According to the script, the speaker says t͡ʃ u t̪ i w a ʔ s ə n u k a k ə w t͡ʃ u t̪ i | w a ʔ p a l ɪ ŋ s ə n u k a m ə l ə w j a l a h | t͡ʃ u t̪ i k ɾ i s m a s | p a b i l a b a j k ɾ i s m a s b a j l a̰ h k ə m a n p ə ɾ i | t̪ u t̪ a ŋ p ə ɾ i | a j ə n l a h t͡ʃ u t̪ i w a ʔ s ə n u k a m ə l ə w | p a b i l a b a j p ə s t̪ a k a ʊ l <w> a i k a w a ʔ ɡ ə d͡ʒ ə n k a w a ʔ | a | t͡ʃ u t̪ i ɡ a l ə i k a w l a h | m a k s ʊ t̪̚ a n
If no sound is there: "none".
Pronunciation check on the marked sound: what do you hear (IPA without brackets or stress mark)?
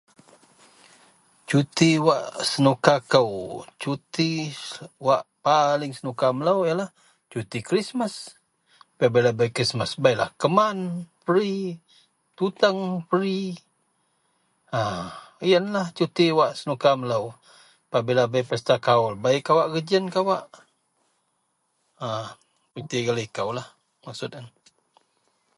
b